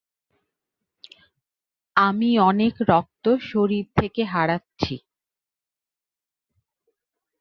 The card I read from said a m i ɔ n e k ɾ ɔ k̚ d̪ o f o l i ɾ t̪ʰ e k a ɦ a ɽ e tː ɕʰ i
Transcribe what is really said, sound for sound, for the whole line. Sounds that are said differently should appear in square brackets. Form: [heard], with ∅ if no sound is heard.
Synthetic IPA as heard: a m i ɔ n e k ɾ ɔ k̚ [t̪] o [ʃ] o [ɾ] i ɾ t̪ʰ e k [e] ɦ a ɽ [a] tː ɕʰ i

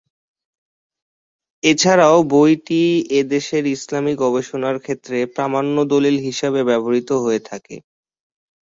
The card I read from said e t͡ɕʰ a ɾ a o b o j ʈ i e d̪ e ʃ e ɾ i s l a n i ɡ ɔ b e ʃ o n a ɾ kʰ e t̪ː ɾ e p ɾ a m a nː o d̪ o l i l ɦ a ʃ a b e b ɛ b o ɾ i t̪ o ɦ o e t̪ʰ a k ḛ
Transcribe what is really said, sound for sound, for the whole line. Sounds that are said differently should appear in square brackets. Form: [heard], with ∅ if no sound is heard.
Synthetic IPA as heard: e t͡ɕʰ a ɾ a o b o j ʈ i e d̪ e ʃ e ɾ i s l a [m] i ɡ ɔ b e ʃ o n a ɾ kʰ e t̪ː ɾ e p ɾ a m a nː o d̪ o l i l ɦ [i] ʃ a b e b ɛ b o ɾ i t̪ o ɦ o e t̪ʰ a k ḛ

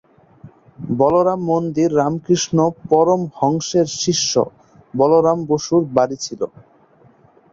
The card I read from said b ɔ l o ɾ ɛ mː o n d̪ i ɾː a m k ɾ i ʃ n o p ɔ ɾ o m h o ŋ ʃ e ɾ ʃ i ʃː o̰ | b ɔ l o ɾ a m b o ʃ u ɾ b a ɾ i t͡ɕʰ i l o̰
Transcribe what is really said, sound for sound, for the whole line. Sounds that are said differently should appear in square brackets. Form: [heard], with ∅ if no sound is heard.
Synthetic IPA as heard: b ɔ l o ɾ [a] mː o n d̪ i ɾː a m k ɾ i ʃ n o p ɔ ɾ o m h [ɔ] ŋ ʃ e ɾ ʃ i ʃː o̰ | b ɔ l o ɾ a m b o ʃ u ɾ b a ɾ i t͡ɕʰ i l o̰

